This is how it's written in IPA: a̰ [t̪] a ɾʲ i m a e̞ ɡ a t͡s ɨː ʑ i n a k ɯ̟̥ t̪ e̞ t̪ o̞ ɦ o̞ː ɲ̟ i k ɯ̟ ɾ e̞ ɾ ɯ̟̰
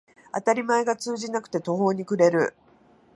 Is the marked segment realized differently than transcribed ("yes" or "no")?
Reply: no